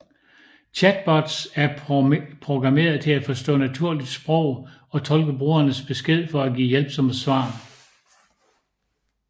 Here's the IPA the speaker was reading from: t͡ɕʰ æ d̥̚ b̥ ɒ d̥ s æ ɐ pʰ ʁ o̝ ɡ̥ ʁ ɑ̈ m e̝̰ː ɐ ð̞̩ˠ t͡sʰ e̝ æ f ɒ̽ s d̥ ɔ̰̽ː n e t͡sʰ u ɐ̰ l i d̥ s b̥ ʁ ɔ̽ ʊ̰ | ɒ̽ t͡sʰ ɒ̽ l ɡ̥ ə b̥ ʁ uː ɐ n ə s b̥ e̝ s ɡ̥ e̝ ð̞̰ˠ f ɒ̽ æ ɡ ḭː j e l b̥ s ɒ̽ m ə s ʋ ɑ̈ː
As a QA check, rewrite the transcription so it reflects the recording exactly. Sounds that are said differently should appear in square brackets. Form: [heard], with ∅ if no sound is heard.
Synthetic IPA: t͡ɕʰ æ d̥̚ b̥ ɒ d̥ s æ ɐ pʰ ʁ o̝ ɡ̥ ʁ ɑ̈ m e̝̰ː ɐ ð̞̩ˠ t͡sʰ e̝ æ f ɒ̽ s d̥ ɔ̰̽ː n [æ] t͡sʰ u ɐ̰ l i d̥ s b̥ ʁ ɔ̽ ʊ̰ | ɒ̽ t͡sʰ ɒ̽ l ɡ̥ ə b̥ ʁ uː ɐ n ə s b̥ e̝ s ɡ̥ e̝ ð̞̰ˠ f ɒ̽ æ ɡ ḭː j e l b̥ s ɒ̽ m ə s ʋ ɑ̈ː